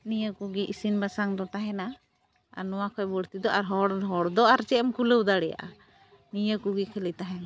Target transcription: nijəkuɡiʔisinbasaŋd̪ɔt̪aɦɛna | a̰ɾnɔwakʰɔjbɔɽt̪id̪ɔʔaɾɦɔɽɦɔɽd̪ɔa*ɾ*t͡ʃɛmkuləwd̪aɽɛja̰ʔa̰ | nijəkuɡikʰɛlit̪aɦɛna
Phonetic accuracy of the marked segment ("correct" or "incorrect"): correct